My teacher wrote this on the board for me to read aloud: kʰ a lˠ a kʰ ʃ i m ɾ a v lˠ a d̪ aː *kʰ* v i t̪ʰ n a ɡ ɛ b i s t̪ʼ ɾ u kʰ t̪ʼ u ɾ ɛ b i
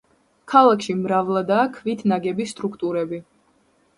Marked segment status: correct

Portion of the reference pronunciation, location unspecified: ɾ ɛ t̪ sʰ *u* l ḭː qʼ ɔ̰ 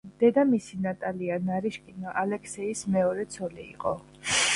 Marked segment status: incorrect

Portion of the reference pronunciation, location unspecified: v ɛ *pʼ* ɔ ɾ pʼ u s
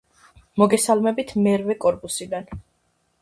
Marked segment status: incorrect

